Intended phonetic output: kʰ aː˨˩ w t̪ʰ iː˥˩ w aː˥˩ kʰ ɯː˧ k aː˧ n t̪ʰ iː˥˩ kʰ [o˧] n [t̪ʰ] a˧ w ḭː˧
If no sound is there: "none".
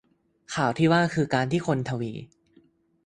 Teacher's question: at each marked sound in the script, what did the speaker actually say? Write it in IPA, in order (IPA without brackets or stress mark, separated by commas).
o˧, t̪ʰ